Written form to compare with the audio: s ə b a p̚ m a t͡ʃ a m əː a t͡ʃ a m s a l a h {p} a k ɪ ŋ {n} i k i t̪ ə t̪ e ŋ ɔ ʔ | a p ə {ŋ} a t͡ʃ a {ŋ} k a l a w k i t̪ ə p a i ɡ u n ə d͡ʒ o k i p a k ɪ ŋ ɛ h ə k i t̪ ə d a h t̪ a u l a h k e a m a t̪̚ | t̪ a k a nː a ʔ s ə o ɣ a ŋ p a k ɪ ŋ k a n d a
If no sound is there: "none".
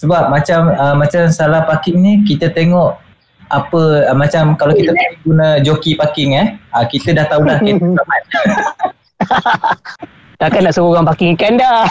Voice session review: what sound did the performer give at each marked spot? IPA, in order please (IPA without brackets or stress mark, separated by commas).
p, n, m, m